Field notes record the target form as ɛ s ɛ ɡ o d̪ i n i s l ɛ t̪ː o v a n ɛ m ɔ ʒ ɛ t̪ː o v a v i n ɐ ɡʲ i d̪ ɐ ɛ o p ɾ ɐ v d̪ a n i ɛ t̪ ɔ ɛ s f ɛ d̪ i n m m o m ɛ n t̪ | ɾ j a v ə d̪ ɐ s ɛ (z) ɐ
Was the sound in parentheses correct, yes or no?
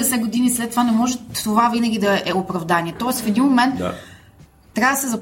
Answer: yes